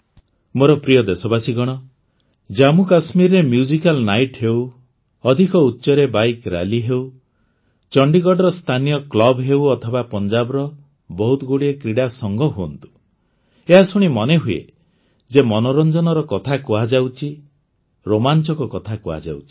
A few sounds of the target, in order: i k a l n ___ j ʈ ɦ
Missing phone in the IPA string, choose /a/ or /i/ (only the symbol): a